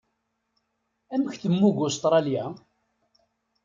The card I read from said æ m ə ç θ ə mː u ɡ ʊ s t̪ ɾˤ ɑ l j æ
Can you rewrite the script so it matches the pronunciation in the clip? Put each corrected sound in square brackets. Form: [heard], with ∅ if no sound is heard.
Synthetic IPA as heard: æ m ə ç θ ə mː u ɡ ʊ s t̪ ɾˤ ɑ l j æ